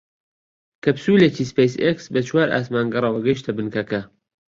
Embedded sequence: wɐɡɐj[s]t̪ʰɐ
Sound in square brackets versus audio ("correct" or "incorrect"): incorrect